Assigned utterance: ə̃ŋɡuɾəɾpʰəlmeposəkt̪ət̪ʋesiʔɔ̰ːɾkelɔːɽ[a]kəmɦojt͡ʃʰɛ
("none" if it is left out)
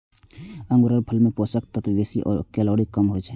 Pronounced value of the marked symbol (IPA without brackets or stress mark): i